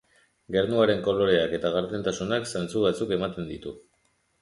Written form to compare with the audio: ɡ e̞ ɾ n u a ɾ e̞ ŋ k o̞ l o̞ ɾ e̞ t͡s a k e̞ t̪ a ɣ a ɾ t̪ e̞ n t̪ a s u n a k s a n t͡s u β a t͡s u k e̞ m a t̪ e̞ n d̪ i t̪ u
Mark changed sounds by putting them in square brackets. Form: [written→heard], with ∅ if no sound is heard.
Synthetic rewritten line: ɡ e̞ ɾ n u a ɾ e̞ ŋ k o̞ l o̞ ɾ e̞ [t͡s→∅] a k e̞ t̪ a ɣ a ɾ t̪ e̞ n t̪ a s u n a k s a n t͡s u β a t͡s u k e̞ m a t̪ e̞ n d̪ i t̪ u